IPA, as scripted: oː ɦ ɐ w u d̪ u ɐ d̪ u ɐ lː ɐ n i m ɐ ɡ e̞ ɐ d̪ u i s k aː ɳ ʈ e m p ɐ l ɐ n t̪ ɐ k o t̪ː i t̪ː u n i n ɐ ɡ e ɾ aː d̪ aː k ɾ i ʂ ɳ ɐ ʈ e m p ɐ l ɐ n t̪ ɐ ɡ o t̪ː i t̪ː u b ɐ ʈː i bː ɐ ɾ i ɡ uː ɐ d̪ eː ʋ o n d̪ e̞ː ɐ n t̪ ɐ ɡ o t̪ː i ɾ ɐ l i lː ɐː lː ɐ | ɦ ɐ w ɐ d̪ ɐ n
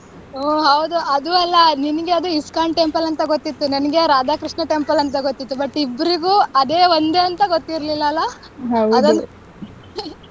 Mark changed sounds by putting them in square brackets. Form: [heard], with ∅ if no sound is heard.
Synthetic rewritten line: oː ɦ ɐ w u d̪ u ɐ d̪ u ɐ lː ɐ n i [n] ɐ ɡ e̞ ɐ d̪ u i s k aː ɳ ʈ e m p ɐ l ɐ n t̪ ɐ [ɡ] o t̪ː i t̪ː u n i n ɐ ɡ e ɾ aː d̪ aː k ɾ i ʂ ɳ ɐ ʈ e m p ɐ l ɐ n t̪ ɐ ɡ o t̪ː i t̪ː u b ɐ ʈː i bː ɐ ɾ i ɡ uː ɐ d̪ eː ʋ o n d̪ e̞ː ɐ n t̪ ɐ ɡ o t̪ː i ɾ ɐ l i lː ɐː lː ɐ | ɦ ɐ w ɐ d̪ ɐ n